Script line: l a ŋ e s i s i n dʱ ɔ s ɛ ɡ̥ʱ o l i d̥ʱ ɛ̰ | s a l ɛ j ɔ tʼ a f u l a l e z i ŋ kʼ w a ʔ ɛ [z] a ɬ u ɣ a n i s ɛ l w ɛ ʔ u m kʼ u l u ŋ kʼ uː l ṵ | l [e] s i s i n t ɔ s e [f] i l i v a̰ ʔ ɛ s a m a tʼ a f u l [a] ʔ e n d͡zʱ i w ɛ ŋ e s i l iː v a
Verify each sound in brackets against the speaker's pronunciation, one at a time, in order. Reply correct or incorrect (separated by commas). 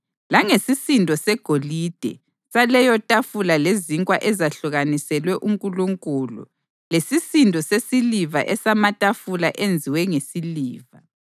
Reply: correct, correct, incorrect, correct